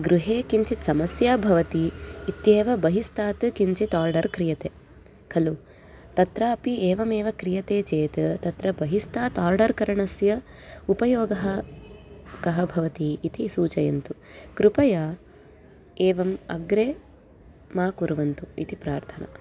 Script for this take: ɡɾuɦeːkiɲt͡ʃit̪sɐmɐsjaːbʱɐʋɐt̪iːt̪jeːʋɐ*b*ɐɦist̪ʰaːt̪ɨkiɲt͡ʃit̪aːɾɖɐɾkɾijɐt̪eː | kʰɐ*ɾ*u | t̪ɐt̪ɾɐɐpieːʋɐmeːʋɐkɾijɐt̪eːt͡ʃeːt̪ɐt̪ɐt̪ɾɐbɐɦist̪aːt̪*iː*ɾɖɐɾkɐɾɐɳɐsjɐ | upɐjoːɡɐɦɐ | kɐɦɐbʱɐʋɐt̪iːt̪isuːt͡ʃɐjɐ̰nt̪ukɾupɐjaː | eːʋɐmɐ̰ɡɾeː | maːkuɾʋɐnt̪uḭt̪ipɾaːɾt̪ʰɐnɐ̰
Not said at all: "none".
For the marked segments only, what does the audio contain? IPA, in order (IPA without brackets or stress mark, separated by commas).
b, l, aː